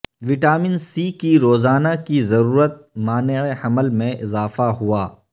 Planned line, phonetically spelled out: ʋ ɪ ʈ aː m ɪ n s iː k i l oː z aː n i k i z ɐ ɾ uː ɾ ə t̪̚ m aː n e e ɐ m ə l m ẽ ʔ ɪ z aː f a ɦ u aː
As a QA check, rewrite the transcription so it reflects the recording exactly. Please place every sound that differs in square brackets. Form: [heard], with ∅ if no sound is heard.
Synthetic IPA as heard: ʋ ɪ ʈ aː m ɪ n s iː k i [ɾ] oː z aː n [a] k i z ɐ ɾ uː ɾ ə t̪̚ m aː n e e ɐ m ə l m ẽ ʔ ɪ z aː f a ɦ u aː